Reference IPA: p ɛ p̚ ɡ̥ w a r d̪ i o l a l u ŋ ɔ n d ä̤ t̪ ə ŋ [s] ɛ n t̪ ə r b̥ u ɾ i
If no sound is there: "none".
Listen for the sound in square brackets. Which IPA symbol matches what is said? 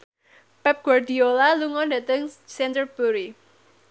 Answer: s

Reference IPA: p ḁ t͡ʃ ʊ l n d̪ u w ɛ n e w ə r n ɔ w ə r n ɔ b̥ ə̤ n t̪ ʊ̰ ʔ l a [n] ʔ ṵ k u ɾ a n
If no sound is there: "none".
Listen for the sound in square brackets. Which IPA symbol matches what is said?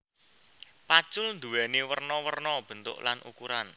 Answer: n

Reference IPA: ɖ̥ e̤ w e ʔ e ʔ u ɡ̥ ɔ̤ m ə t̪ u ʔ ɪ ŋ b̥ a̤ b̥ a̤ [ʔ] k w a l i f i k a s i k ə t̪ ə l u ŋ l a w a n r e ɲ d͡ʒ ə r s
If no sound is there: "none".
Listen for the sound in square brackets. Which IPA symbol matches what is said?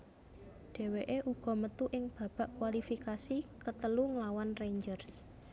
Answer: ʔ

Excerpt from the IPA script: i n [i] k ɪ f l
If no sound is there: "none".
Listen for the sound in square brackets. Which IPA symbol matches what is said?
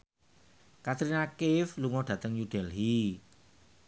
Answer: a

